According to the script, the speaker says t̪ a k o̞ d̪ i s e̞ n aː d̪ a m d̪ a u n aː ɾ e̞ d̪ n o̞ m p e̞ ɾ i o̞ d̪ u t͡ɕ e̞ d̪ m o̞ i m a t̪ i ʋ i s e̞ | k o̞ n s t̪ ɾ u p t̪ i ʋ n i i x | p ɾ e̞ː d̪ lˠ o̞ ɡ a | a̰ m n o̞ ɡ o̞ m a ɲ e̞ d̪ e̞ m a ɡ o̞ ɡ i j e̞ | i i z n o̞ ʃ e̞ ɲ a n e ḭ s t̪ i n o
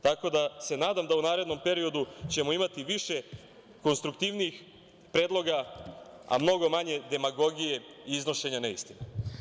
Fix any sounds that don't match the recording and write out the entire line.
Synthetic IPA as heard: t̪ a k o̞ d̪ a s e̞ n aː d̪ a m d̪ a u n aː ɾ e̞ d̪ n o̞ m p e̞ ɾ i o̞ d̪ u t͡ɕ e̞ m o̞ i m a t̪ i ʋ i ʃ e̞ | k o̞ n s t̪ ɾ u k t̪ i ʋ n i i x | p ɾ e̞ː d̪ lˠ o̞ ɡ a | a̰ m n o̞ ɡ o̞ m a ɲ e̞ d̪ e̞ m a ɡ o̞ ɡ i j e̞ | i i z n o̞ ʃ e̞ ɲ a n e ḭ s t̪ i n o